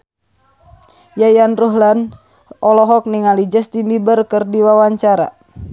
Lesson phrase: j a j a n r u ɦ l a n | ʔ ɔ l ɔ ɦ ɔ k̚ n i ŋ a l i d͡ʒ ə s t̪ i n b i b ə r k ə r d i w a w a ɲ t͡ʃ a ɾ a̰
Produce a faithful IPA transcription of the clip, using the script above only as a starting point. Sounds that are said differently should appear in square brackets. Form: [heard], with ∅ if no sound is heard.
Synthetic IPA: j a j a n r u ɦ l a n | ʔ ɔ l ɔ ɦ ɔ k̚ n i ŋ a l i d͡ʒ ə s t̪ i [m] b i b ə r k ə r d i w a w a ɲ t͡ʃ a ɾ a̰

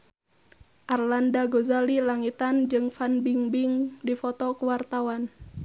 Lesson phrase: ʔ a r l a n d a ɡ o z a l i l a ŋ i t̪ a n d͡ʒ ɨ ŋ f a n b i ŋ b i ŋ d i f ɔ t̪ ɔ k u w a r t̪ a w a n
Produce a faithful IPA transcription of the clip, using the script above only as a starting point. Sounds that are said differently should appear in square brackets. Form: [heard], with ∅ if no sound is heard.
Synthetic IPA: ʔ a r l a n d a ɡ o z a l i l a ŋ i t̪ a n d͡ʒ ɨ ŋ f a n b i ŋ b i ŋ d i f ɔ t̪ ɔ k u w a r t̪ a w a n

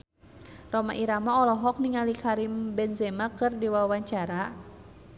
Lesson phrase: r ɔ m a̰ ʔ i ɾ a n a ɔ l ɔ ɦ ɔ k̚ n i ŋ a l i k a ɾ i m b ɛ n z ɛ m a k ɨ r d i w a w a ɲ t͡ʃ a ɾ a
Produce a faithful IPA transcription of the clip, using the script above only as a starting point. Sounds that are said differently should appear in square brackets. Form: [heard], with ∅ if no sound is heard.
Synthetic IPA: r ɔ m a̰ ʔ i ɾ a [m] a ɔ l ɔ ɦ ɔ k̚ n i ŋ a l i k a ɾ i m b ɛ n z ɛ m a k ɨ r d i w a w a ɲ t͡ʃ a ɾ a

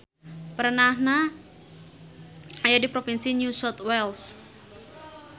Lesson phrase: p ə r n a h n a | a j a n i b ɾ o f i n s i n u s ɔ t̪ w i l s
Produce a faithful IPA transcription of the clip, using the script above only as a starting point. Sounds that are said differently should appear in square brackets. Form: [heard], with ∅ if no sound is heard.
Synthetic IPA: p ə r n a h n a | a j a [d] i [p] ɾ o f i n s i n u s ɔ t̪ w [ɛ] l s

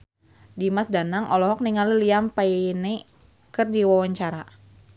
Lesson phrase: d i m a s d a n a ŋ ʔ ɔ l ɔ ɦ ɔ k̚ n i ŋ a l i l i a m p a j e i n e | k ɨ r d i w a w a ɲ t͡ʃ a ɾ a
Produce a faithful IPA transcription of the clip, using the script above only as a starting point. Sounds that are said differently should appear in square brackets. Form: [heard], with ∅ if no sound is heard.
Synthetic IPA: d i m a s d a n a ŋ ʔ ɔ l ɔ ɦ ɔ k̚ n i ŋ a l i l i a m p a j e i n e | k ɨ r d i w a w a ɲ t͡ʃ a ɾ a

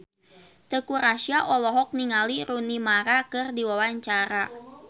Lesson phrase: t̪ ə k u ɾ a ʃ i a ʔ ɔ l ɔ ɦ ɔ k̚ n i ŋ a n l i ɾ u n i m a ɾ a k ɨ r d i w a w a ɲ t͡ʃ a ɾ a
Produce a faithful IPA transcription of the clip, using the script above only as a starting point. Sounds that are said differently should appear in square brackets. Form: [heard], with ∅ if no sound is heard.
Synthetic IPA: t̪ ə k u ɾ a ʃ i a ʔ ɔ l ɔ ɦ ɔ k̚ n i ŋ a [∅] l i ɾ u n i m a ɾ a k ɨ r d i w a w a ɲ t͡ʃ a ɾ a

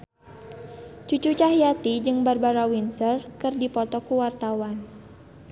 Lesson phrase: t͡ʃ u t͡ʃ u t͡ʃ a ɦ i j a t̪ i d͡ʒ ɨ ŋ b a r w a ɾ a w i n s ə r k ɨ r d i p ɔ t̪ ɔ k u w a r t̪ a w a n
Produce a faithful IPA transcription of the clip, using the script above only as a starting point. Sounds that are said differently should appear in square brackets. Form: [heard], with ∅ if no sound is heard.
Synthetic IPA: t͡ʃ u t͡ʃ u t͡ʃ a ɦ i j a t̪ i d͡ʒ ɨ ŋ b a r [b] a ɾ a w i n s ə r k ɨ r d i p ɔ t̪ ɔ k u w a r t̪ a w a n

